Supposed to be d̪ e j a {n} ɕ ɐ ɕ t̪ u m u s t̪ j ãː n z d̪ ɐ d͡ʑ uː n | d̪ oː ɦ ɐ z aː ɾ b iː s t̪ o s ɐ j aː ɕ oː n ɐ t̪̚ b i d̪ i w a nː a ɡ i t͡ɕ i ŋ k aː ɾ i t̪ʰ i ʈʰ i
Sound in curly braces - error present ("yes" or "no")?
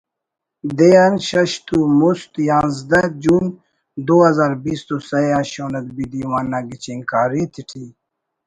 no